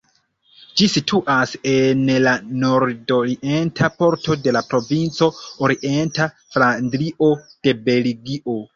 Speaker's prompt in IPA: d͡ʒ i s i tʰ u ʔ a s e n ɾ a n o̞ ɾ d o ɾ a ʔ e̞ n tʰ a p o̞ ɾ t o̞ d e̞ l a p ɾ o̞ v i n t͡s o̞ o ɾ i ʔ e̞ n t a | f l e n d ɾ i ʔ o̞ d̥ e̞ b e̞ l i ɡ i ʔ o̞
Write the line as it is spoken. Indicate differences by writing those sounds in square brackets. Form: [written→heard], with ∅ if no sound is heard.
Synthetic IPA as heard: d͡ʒ i s i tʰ u ʔ a s e n [ɾ→l] a n o̞ ɾ d o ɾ [a→i] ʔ e̞ n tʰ a p o̞ ɾ t o̞ d e̞ l a p ɾ o̞ v i n t͡s o̞ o ɾ i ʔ e̞ n t a | f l [e→a] n d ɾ i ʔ o̞ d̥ e̞ b e̞ l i ɡ i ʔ o̞